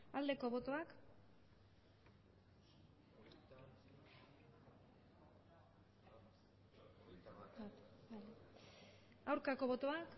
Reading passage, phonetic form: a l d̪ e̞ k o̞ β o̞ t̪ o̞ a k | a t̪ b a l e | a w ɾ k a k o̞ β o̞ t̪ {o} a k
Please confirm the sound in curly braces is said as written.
yes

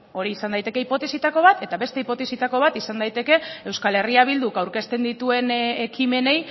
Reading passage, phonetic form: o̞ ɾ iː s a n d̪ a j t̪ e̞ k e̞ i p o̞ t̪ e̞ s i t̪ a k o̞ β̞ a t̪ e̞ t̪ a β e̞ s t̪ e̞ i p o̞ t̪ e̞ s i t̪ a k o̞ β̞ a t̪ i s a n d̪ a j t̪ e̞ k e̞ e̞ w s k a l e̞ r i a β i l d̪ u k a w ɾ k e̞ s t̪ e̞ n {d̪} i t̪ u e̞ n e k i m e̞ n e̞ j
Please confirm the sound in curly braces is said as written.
yes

